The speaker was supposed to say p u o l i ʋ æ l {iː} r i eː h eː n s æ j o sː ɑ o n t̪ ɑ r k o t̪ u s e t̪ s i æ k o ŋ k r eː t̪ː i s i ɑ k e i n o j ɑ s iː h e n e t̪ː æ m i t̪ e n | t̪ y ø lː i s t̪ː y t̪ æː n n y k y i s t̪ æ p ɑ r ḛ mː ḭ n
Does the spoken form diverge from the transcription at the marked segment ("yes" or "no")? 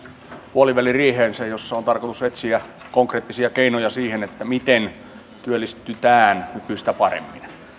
yes